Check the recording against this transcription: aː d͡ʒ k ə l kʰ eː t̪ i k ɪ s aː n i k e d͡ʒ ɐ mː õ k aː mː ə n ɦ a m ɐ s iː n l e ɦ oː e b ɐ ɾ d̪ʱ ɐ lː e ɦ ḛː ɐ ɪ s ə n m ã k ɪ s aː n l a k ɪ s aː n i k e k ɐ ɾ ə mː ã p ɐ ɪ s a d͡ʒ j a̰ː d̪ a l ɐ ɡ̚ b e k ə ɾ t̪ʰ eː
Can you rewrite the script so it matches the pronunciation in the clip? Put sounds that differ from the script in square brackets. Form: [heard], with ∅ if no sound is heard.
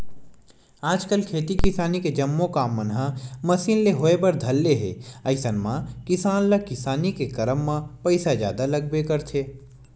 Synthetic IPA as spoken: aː d͡ʒ k ə l kʰ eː t̪ i k ɪ s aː n i k e d͡ʒ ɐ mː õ k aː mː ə n ɦ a m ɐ s iː n l e ɦ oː e b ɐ ɾ d̪ʱ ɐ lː e ɦ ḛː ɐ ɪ s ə n m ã k ɪ s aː n l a k ɪ s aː n i k e k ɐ ɾ ə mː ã p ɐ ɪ s a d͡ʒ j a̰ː d̪ a l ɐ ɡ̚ b e k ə ɾ t̪ʰ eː

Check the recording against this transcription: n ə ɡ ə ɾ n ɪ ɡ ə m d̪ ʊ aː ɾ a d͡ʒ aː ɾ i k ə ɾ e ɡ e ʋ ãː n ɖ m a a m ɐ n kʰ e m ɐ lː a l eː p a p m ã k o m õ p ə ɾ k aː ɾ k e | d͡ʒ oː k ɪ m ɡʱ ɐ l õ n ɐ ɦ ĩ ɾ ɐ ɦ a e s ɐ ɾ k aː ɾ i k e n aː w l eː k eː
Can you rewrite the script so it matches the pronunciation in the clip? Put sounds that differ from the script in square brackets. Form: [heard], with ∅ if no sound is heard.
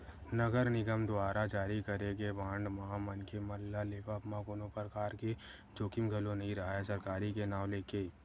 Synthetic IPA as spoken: n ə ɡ ə ɾ n ɪ ɡ ə m d̪ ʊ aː ɾ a d͡ʒ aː ɾ i k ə ɾ e ɡ e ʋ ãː [ɳ] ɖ m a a m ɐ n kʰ e m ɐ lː a l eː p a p m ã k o [n] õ p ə ɾ k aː ɾ k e | d͡ʒ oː k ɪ m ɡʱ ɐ l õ n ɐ ɦ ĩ ɾ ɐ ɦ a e s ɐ ɾ k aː ɾ i k e n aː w l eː k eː

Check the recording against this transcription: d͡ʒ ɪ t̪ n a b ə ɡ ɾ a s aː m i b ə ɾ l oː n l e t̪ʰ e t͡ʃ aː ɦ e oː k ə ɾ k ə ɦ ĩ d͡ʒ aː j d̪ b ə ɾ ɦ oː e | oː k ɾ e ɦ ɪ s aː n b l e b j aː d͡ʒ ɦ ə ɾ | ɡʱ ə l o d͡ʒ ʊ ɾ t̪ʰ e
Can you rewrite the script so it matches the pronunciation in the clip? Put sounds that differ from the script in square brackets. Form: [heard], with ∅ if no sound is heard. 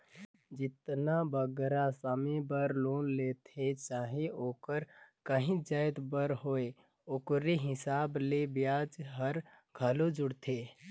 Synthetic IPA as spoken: d͡ʒ ɪ t̪ n a b ə ɡ ɾ a s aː m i b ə ɾ l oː n l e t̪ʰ e t͡ʃ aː ɦ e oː k ə ɾ k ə ɦ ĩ d͡ʒ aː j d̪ b ə ɾ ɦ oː e | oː k ɾ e ɦ ɪ s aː [∅] b l e b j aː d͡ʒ ɦ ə ɾ | ɡʱ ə l o d͡ʒ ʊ [ɽ] t̪ʰ e

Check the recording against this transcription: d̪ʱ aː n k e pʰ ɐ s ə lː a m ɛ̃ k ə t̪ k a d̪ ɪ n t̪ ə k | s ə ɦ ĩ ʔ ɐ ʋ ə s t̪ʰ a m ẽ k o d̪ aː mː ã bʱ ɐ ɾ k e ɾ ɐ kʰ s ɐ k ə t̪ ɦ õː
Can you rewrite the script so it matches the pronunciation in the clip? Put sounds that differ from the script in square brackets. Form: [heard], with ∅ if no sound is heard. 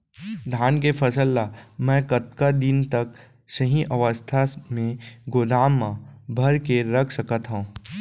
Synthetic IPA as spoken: d̪ʱ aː n k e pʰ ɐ s ə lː a m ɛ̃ k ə t̪ k a d̪ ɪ n t̪ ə k | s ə ɦ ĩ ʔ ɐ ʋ ə s t̪ʰ a m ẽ [ɡ] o d̪ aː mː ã bʱ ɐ ɾ k e ɾ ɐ kʰ s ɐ k ə t̪ ɦ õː

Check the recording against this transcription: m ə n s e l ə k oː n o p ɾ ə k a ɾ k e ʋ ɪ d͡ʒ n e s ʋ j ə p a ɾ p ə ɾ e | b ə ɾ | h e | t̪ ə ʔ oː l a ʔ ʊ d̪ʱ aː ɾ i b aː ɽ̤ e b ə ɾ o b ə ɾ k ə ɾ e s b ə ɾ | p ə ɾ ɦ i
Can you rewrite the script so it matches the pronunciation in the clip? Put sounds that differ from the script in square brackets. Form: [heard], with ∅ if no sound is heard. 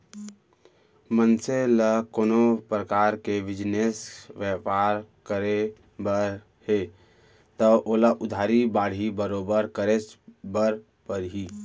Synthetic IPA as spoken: m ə n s e l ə k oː n o p ɾ ə k a ɾ k e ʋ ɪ d͡ʒ n e s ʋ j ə p a ɾ [k] ə ɾ e | b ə ɾ | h e | t̪ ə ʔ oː l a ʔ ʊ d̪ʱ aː ɾ i b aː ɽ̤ [i] b ə ɾ o b ə ɾ k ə ɾ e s b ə ɾ | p ə ɾ ɦ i

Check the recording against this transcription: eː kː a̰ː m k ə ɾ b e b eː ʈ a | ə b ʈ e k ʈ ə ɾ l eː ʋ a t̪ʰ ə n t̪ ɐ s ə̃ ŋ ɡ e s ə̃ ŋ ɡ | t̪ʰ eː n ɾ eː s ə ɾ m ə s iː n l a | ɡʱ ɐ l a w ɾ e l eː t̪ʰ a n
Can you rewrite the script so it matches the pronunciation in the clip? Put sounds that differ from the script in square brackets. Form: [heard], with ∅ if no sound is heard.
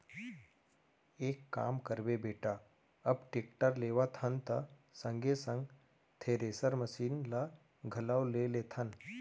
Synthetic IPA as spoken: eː kː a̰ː m k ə ɾ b e b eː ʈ a | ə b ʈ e k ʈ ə ɾ l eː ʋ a t̪ʰ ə n t̪ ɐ s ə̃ ŋ ɡ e s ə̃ ŋ ɡ | t̪ʰ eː [∅] ɾ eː s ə ɾ m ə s iː n l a | ɡʱ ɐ l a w [l] e l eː t̪ʰ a n

